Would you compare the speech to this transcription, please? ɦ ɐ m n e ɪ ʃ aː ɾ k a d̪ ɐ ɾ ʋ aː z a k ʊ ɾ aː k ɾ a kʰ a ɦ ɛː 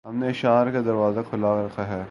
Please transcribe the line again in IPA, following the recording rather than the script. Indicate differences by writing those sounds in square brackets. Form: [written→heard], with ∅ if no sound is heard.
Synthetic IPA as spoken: ɦ ɐ m n e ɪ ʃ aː ɾ k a d̪ ɐ ɾ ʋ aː z a [k→kʰ] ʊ [ɾ→l] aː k ɾ [a→ɐ] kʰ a ɦ ɛː